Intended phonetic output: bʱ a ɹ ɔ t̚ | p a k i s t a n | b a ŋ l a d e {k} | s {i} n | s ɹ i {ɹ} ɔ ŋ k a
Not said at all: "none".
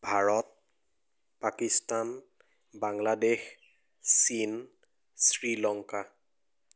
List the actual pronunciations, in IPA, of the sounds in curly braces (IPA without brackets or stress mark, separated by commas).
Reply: x, i, l